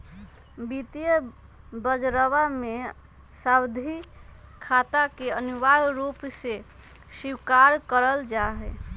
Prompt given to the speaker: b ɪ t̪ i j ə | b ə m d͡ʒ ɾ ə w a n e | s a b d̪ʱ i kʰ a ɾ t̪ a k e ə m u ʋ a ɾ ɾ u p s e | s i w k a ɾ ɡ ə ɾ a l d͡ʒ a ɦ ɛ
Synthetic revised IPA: b i t̪ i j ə | b ə d͡ʒ ɾ ə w a m e | s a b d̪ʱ i kʰ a t̪ a k e ə n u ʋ a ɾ ɾ u p s e | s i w k a ɾ k ə ɾ ə l d͡ʒ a ɦ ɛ